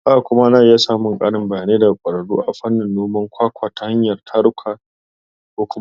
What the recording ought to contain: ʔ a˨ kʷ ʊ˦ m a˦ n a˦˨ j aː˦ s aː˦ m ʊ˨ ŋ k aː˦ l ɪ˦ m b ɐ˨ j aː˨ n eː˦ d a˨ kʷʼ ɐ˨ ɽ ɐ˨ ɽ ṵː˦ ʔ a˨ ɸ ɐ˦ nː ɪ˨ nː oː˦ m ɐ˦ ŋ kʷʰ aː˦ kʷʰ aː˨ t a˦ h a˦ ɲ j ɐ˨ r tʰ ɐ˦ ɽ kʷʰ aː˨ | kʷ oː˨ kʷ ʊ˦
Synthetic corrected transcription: ʔ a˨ kʷ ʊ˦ m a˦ n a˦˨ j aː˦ s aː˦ m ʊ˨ ŋ kʼ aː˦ ɽ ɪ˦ m b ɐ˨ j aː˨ n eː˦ d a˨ kʷʼ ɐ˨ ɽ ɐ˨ ɽ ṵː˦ ʔ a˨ ɸ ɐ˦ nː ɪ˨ nː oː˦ m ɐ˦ ŋ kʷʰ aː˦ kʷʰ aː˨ t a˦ h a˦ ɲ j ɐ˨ r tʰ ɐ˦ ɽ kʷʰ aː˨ | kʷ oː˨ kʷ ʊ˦